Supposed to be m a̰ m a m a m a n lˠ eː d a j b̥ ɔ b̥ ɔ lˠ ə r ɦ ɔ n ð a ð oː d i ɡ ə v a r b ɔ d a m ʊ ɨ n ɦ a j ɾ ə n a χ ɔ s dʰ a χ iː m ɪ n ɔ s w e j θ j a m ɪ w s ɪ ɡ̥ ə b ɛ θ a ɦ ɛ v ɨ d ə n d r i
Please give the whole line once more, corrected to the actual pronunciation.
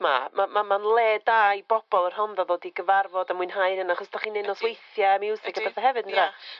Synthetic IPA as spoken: m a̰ m a m a m a n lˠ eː d a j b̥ ɔ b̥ ɔ lˠ ə r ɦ ɔ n ð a ð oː d i ɡ ə v a r v ɔ d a m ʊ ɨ n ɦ a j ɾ ə n a χ ɔ s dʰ a χ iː n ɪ n ɔ s w e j θ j a m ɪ w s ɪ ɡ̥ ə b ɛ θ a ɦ ɛ v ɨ d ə n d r a